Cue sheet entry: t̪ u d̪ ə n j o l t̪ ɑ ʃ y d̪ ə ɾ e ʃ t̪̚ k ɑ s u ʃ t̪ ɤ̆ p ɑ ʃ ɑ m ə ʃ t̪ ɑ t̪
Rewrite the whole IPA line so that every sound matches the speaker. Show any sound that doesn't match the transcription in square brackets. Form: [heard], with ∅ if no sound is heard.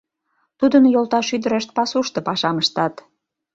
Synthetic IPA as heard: t̪ u d̪ ə n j o l t̪ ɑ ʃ y d̪ ə ɾ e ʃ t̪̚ [p] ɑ s u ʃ t̪ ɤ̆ p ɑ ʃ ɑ m ə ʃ t̪ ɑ t̪